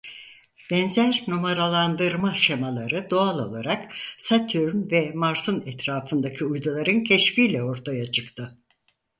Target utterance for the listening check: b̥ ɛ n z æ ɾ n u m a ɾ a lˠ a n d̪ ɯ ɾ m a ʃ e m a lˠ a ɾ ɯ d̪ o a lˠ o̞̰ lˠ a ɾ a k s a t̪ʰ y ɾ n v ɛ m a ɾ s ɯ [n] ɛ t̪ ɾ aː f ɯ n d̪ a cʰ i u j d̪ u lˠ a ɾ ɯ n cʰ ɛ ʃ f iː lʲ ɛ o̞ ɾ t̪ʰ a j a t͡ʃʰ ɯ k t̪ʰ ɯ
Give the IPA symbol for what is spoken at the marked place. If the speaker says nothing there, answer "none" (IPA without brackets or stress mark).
n